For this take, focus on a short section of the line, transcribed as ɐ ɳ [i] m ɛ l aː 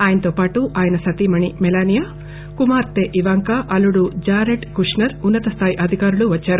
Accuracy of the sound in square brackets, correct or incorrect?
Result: correct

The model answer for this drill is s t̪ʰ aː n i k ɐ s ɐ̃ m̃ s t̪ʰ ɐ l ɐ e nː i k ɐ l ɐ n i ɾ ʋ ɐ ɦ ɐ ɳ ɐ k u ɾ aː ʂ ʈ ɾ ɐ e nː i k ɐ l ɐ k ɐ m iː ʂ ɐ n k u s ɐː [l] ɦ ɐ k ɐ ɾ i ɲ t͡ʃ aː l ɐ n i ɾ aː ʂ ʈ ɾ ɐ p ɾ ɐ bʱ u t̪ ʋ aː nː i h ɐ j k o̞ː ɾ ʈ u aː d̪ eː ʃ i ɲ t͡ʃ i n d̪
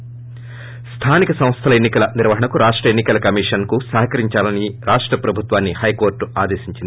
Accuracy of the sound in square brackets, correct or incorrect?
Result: incorrect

